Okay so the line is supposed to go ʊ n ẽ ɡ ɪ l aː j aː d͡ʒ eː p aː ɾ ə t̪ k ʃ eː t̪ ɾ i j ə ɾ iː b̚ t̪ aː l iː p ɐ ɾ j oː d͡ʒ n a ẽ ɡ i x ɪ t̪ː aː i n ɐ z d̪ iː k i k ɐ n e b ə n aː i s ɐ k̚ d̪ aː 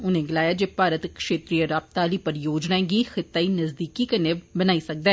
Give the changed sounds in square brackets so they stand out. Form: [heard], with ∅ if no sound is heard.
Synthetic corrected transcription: ʊ n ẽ ɡ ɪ l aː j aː d͡ʒ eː p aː ɾ ə t̪ k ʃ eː t̪ ɾ i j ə ɾ [aː] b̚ t̪ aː l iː p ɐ ɾ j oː d͡ʒ n a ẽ ɡ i x ɪ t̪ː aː i n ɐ z d̪ iː k i k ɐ n e b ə n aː i s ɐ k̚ d̪ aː